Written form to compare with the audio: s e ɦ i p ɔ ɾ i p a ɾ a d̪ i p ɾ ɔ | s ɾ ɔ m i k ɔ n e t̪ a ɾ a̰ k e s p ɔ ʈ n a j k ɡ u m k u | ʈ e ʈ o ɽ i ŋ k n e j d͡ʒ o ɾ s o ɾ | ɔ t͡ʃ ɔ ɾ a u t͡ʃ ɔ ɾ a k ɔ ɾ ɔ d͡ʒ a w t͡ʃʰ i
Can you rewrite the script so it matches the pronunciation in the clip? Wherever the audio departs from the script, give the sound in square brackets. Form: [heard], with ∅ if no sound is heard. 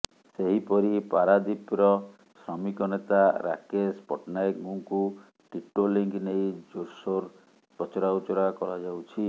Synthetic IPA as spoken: s e ɦ i p ɔ ɾ i p a ɾ a d̪ i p ɾ ɔ | s ɾ ɔ m i k ɔ n e t̪ a ɾ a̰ k e s p ɔ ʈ n a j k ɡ u [ŋ] k u | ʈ [i] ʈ o [l] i ŋ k n e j d͡ʒ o ɾ s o ɾ | ɔ t͡ʃ ɔ ɾ a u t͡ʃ ɔ ɾ a k ɔ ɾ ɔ d͡ʒ a w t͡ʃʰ i